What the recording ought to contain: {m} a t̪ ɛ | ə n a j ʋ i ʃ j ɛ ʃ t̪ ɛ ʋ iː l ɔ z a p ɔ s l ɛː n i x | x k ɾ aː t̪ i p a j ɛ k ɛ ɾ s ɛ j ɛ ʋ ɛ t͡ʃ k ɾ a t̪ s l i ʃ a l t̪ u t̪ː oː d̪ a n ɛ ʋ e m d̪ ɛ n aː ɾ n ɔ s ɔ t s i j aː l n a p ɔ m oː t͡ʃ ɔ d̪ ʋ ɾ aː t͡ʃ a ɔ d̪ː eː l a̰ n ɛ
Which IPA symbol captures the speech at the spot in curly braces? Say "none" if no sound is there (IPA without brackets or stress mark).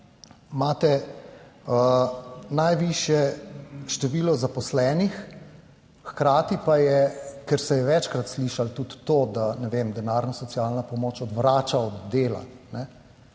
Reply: m